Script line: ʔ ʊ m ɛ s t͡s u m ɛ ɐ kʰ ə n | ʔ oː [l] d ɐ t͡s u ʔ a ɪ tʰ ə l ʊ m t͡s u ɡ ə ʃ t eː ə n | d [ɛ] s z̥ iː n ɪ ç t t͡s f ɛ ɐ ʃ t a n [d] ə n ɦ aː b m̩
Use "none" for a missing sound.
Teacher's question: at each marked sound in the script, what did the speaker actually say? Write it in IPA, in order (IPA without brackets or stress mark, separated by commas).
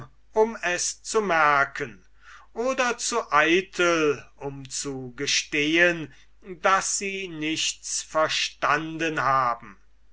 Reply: none, a, d